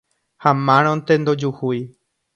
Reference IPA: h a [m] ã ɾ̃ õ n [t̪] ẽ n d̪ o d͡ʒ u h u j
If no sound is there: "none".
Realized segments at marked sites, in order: m, t̪

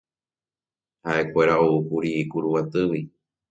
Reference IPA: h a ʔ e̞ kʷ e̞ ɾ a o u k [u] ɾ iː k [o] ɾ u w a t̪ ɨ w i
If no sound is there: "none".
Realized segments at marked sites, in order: u, u

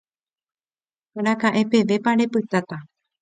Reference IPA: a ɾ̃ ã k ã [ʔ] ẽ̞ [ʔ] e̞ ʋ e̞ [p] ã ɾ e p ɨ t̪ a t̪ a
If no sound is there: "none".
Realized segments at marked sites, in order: ʔ, p, p

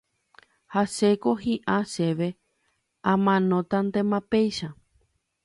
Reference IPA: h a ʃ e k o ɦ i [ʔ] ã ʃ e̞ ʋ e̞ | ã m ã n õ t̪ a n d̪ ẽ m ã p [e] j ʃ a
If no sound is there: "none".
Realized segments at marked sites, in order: ʔ, e

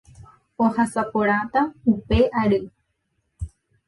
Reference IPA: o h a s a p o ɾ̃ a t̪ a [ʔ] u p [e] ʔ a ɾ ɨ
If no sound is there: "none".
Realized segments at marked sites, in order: none, e

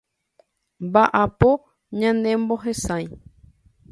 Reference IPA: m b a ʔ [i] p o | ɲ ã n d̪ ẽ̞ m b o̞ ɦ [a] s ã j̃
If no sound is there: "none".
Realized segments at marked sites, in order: a, e

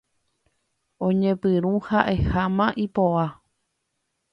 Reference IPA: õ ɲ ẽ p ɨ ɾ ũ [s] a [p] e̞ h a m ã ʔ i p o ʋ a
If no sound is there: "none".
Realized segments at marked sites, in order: h, ʔ

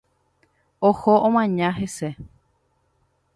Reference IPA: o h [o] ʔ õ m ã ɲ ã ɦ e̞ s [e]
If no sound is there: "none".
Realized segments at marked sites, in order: o, e

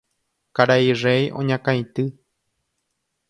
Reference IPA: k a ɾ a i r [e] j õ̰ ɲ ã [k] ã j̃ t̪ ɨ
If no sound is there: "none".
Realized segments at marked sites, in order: e, k

